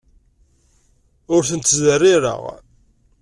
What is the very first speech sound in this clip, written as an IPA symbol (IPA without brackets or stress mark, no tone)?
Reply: ʊ